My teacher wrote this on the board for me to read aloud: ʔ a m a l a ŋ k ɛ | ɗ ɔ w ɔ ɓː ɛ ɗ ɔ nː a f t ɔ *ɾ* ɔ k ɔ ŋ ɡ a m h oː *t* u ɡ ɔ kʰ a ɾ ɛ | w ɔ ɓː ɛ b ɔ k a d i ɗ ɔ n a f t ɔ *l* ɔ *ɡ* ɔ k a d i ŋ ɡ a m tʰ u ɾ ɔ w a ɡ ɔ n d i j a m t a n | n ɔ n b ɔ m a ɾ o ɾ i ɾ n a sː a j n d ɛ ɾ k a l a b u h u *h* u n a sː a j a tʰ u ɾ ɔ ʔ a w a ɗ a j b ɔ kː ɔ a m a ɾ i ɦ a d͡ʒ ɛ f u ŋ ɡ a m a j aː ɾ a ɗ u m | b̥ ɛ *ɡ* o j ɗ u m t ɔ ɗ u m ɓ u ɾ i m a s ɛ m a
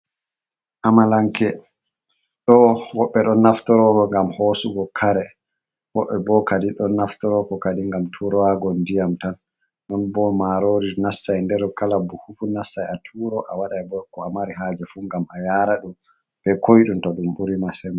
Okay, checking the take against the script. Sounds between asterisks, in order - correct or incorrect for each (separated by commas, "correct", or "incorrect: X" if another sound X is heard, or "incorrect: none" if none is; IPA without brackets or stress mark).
correct, incorrect: s, incorrect: ɾ, incorrect: k, incorrect: f, incorrect: k